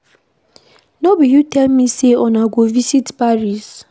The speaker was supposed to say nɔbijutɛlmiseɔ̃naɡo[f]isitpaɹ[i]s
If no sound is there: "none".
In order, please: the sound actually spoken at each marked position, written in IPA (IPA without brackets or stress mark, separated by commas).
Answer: v, i